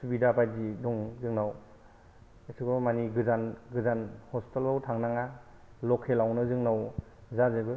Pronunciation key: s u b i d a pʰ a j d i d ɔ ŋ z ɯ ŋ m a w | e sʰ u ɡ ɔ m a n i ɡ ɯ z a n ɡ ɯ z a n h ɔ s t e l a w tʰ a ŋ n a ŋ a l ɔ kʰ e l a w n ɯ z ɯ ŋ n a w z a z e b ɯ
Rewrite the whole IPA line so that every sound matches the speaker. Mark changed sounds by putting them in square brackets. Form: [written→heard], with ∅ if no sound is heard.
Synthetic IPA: s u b i d a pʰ a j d i d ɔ ŋ z ɯ ŋ [m→n] a w | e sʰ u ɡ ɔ m a n i ɡ ɯ z a n ɡ ɯ z a n h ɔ s t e l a w tʰ a ŋ n a ŋ a l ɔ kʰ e l a w n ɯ z ɯ ŋ n a w z a z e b ɯ